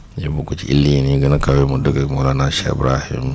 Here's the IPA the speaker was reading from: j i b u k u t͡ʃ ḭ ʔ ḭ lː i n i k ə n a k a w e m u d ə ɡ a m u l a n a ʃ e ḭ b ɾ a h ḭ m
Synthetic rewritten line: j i b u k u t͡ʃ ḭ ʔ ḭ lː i n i ɡ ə n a k a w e m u d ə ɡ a m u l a n a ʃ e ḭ b ɾ a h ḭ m

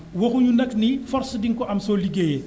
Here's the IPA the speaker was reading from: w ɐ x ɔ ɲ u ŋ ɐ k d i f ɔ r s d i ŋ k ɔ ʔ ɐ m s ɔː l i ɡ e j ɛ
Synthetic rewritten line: w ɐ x u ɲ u n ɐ k n i f ɔ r s d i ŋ k ɔ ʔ ɐ m s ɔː l i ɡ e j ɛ

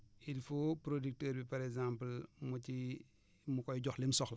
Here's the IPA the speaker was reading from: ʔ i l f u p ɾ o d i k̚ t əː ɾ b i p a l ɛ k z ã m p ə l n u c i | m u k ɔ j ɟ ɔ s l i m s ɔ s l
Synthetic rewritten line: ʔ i l f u p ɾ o d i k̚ t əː ɾ b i p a ɾ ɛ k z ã m p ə l m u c i | m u k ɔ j ɟ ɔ x l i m s ɔ x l

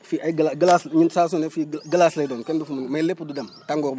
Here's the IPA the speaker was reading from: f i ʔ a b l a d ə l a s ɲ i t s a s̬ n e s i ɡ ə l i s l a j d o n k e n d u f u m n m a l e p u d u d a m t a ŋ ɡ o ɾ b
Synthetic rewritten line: f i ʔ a ɡ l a ɡ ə l a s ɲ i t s a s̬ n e f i ɡ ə l a s l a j d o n k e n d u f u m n m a l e p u d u d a m t a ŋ ɡ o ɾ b

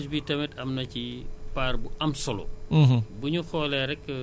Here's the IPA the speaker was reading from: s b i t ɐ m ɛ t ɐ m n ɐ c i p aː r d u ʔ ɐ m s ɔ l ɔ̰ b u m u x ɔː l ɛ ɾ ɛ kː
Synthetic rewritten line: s b i t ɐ m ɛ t ɐ m n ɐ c i p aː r b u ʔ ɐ m s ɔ l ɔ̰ b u ɲ u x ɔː l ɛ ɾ ɛ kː

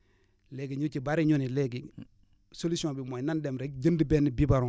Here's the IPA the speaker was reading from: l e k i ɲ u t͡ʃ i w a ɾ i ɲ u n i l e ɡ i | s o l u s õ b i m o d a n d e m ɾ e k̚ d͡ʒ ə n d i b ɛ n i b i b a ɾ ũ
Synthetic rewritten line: l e ɡ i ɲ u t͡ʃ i b a ɾ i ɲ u n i l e ɡ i | s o l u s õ b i m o n a n d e m ɾ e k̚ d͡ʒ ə n d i b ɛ n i b i b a ɾ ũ

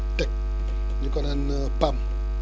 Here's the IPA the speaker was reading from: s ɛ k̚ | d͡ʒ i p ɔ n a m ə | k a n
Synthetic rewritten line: t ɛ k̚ | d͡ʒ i k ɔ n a n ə | p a m

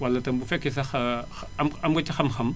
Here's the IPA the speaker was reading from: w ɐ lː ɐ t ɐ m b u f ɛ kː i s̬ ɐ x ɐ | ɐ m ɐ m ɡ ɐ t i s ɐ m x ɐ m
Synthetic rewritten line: w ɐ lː ɐ t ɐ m b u f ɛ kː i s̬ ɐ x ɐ | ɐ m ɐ m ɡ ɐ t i x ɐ m x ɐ m

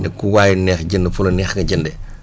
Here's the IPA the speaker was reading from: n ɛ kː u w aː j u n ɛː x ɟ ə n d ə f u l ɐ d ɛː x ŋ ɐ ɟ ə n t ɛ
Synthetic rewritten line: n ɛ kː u w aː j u n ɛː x ɟ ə n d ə f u l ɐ n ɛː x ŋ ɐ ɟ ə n d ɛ

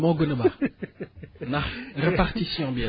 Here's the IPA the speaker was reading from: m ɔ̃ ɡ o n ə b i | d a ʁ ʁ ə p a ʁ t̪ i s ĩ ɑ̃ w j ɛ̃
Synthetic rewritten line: m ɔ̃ ɡ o n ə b a | n a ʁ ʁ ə p a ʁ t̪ i s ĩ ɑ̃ b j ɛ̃

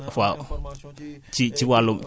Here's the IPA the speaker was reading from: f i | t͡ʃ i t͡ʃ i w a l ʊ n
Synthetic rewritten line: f a | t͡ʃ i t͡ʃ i w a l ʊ m

